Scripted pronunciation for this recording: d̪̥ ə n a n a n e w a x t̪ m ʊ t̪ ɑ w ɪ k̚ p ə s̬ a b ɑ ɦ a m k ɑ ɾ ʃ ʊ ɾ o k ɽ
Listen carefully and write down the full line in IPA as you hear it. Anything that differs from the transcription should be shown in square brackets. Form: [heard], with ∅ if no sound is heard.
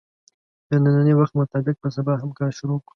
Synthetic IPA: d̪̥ ə n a n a n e w a x t̪ m ʊ t̪ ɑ [b] ɪ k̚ p ə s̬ a b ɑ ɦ a m k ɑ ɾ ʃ ʊ ɾ o k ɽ